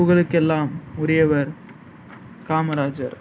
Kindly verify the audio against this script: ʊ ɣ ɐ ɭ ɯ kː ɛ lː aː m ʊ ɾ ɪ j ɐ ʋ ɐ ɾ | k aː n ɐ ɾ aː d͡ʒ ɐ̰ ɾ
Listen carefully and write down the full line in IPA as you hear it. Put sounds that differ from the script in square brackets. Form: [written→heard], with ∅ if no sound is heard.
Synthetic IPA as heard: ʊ ɣ ɐ ɭ ɯ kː ɛ lː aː m ʊ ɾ ɪ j ɐ ʋ ɐ ɾ | k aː [n→m] ɐ ɾ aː d͡ʒ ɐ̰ ɾ